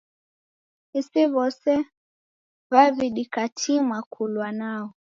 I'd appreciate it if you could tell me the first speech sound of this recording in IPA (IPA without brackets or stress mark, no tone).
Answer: i